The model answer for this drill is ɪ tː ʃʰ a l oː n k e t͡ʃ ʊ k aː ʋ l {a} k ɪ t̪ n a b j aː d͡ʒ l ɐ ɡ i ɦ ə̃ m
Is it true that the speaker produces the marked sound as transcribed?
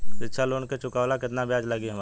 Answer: yes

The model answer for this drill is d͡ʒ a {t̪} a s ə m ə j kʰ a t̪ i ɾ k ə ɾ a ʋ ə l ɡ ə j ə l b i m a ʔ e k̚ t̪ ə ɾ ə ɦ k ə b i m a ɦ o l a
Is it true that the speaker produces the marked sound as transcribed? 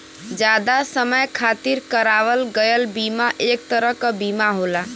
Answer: no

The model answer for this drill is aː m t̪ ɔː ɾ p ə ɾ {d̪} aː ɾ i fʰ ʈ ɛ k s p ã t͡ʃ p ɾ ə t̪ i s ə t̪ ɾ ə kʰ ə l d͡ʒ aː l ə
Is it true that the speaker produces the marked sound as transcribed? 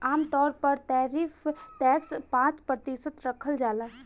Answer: no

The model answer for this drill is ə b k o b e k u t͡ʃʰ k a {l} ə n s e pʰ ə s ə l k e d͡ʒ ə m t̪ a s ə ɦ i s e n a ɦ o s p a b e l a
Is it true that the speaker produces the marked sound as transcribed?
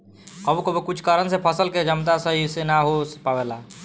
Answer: no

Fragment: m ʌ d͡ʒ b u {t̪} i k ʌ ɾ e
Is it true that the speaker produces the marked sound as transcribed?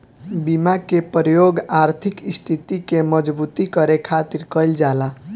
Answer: yes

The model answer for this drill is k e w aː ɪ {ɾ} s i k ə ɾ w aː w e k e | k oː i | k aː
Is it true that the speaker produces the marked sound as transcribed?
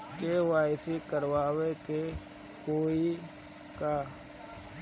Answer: no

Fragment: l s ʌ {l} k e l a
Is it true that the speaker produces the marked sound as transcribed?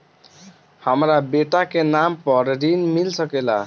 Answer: no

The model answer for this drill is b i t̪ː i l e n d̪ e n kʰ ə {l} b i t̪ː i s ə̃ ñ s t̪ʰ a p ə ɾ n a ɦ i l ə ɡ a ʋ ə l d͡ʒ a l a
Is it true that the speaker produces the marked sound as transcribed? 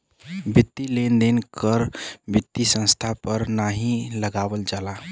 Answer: no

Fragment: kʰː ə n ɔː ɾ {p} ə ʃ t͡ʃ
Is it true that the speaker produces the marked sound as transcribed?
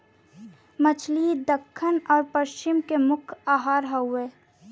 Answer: yes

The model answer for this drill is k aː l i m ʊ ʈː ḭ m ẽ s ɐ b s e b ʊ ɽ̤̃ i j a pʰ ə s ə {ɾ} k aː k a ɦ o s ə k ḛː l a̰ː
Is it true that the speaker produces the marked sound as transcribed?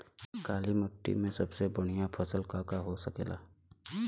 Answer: no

